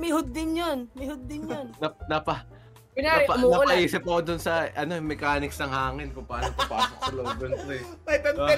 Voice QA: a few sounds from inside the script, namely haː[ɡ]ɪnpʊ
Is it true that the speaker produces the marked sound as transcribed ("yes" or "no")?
no